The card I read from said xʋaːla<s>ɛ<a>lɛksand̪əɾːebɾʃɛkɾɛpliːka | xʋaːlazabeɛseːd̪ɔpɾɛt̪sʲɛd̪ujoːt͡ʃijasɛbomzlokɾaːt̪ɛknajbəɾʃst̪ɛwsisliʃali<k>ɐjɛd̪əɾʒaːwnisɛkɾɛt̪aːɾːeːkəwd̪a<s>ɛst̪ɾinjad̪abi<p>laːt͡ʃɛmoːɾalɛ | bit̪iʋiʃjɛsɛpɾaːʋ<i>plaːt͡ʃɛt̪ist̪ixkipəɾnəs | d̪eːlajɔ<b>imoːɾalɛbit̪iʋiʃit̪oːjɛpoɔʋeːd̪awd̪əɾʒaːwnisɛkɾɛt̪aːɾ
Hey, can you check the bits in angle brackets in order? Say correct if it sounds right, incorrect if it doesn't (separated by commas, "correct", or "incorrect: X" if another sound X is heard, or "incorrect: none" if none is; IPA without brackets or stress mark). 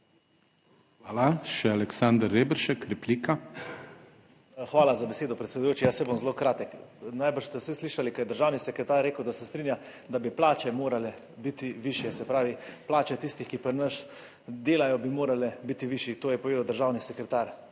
incorrect: ʃ, correct, correct, correct, correct, correct, correct